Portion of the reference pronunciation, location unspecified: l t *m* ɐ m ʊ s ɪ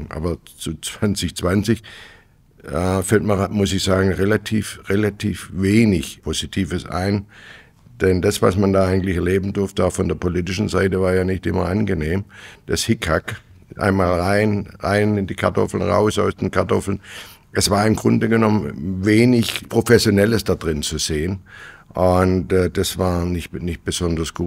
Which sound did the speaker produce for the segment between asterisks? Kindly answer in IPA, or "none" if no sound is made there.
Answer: m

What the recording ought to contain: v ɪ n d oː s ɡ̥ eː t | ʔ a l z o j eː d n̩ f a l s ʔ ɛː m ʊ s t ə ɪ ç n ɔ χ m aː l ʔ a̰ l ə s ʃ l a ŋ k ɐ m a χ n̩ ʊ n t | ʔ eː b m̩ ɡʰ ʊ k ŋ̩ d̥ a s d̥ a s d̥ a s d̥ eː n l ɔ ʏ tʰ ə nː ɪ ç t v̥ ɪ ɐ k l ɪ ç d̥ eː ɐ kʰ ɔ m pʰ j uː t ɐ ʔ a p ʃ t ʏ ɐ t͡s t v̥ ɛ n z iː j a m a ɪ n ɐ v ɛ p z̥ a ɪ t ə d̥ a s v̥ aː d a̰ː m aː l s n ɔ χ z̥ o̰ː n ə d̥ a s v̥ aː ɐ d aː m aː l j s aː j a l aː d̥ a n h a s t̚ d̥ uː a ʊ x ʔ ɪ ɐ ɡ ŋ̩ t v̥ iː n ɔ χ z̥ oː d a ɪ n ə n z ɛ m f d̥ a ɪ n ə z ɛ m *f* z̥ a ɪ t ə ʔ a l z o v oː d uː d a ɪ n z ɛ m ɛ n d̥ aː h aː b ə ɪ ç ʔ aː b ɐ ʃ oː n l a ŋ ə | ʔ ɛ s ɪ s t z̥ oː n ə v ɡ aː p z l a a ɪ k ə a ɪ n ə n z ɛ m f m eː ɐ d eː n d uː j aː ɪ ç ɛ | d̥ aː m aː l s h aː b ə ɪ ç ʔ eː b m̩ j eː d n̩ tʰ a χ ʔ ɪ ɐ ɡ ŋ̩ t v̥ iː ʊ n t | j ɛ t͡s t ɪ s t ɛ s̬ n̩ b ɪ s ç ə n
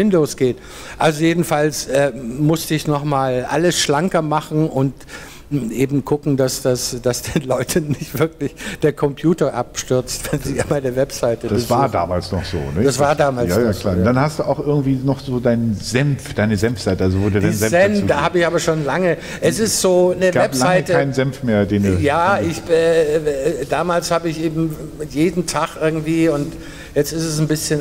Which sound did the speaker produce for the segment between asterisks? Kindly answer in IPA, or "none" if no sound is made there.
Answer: f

